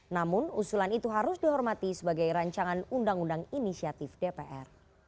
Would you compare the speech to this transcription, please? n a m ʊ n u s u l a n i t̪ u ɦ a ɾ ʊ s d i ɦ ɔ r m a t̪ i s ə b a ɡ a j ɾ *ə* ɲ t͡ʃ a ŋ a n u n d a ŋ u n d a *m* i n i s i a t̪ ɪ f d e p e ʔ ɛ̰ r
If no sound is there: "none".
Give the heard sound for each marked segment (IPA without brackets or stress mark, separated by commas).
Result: a, ŋ